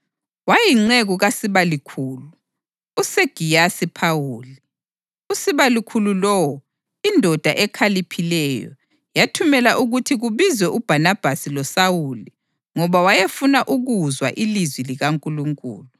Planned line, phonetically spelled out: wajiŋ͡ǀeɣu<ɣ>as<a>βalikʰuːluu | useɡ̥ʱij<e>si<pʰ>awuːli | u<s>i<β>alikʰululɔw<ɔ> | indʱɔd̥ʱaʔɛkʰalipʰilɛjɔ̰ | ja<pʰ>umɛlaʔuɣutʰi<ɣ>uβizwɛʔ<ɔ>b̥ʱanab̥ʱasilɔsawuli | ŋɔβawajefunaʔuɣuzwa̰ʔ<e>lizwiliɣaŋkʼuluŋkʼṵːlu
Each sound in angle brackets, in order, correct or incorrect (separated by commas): correct, incorrect, incorrect, correct, correct, correct, correct, incorrect, correct, incorrect, incorrect